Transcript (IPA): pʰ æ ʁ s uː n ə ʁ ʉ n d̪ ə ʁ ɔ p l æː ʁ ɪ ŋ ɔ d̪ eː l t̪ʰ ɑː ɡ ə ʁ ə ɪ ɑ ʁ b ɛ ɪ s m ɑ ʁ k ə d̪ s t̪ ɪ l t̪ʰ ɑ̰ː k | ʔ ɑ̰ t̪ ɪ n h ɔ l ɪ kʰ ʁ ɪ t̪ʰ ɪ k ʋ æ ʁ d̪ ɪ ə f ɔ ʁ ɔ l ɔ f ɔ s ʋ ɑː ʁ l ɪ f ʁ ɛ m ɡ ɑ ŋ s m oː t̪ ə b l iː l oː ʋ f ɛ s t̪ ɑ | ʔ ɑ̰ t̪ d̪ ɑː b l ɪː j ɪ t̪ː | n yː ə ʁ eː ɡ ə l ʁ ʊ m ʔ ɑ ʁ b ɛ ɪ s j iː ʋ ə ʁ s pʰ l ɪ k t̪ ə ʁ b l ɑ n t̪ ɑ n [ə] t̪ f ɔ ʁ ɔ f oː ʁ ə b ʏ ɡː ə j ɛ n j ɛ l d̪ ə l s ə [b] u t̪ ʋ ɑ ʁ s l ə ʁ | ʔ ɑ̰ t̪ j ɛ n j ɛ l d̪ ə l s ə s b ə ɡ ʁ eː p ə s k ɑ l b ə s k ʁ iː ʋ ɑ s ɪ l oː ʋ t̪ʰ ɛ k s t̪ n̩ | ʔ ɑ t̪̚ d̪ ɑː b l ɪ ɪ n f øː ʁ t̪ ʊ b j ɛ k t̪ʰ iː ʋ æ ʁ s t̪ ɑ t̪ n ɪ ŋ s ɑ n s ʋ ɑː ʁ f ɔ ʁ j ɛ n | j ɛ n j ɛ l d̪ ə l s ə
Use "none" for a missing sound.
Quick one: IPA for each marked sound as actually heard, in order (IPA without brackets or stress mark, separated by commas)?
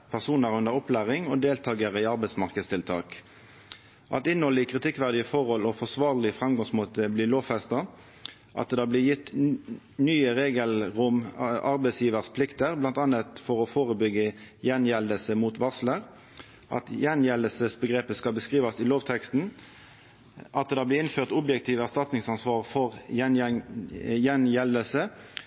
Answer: ə, m